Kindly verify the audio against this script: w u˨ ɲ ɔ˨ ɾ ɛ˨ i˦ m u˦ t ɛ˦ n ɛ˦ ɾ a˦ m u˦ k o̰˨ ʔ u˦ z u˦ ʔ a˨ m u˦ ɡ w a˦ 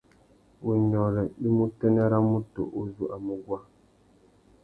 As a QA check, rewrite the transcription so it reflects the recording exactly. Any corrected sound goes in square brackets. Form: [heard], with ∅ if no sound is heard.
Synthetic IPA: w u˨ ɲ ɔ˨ ɾ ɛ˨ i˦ m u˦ t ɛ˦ n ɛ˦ ɾ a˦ m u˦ [t] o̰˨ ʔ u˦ z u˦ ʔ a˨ m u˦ ɡ w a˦